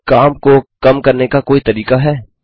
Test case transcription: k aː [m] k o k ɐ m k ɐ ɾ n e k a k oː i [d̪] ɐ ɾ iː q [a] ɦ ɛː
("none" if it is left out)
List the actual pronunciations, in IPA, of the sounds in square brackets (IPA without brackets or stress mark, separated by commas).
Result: m, t̪, a